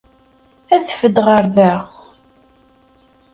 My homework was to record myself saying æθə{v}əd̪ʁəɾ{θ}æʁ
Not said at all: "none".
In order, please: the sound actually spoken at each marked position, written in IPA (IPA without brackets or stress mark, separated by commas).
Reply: f, ð